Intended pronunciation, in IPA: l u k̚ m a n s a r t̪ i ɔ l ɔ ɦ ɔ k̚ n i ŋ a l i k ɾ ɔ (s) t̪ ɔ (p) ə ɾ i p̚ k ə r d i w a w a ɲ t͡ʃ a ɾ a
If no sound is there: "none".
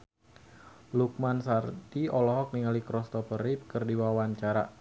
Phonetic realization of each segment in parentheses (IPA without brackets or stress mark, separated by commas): s, p